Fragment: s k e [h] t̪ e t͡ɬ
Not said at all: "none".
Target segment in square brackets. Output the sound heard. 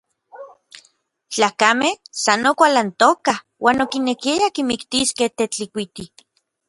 h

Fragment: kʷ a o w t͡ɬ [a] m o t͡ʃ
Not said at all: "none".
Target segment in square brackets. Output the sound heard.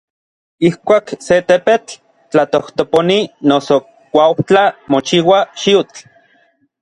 a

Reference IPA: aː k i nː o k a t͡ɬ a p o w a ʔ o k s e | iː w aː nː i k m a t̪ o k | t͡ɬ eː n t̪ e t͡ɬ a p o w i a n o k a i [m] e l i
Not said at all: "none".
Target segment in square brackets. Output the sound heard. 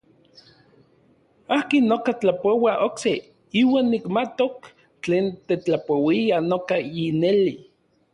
n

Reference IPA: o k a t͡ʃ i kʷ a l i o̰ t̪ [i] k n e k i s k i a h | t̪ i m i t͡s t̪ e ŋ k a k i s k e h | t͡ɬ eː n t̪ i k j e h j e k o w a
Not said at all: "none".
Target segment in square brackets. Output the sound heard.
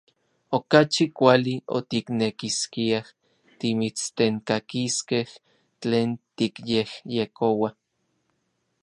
i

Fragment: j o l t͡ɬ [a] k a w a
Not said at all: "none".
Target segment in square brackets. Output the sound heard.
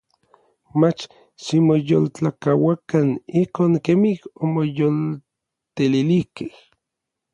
a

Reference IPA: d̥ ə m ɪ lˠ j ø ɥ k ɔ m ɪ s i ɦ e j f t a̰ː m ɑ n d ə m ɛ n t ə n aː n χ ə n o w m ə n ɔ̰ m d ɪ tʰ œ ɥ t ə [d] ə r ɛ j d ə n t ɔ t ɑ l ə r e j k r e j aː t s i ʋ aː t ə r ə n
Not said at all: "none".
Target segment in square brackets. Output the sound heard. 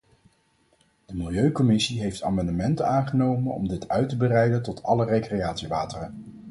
b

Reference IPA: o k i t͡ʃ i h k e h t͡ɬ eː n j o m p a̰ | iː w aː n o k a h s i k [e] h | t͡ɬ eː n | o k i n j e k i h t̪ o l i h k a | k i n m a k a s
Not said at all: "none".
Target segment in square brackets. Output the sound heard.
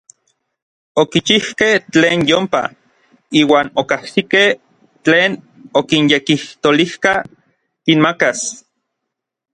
e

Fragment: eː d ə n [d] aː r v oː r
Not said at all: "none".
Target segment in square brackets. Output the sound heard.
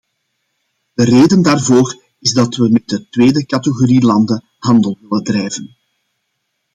d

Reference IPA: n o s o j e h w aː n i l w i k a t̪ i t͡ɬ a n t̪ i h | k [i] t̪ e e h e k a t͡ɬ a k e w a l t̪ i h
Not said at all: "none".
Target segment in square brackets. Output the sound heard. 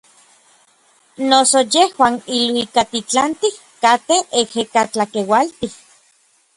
a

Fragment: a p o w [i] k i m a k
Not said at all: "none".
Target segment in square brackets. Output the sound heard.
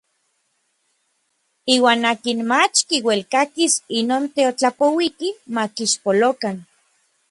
i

